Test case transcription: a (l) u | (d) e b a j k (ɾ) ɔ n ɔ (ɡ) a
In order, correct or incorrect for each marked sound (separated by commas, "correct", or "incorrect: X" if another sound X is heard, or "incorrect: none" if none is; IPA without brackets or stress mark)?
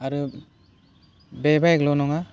incorrect: ɾ, incorrect: b, incorrect: l, incorrect: ŋ